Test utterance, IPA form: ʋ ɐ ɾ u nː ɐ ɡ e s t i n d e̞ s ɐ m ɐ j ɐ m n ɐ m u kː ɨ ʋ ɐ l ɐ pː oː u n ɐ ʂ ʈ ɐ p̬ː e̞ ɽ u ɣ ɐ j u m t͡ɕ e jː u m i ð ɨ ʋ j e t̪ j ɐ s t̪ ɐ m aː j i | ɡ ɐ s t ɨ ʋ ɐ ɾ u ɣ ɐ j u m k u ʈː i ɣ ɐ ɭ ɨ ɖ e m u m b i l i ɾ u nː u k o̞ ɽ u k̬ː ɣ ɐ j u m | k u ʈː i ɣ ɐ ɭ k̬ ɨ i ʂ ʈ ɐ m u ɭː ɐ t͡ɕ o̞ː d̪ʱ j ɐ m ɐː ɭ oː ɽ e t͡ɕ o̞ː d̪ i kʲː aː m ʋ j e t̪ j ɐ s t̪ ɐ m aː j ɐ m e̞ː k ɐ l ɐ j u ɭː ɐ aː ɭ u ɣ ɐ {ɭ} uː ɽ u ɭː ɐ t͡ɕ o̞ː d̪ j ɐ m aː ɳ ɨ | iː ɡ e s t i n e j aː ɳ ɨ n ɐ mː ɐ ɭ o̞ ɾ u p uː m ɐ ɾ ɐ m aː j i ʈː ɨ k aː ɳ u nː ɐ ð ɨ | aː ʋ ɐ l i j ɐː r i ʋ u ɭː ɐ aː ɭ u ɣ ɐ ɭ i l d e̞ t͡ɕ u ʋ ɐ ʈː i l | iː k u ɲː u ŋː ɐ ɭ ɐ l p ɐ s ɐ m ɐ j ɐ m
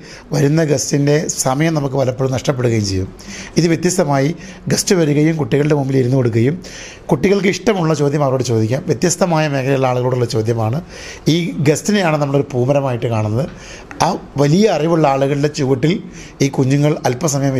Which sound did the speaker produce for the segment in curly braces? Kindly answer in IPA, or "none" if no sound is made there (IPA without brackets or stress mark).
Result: ɭ